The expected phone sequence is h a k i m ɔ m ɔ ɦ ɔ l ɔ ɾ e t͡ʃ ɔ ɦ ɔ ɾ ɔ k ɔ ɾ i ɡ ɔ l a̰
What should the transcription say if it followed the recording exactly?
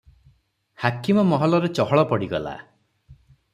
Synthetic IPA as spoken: h a k i m ɔ m ɔ ɦ ɔ l ɔ ɾ e t͡ʃ ɔ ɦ ɔ ɭ ɔ p ɔ ɽ i ɡ ɔ l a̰